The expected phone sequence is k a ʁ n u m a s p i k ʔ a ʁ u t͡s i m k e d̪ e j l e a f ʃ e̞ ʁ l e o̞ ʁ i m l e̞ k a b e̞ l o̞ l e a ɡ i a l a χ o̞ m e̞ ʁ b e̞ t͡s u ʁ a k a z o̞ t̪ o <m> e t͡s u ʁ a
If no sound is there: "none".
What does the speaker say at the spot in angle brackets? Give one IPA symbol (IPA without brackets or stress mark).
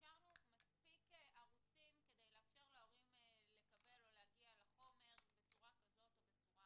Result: b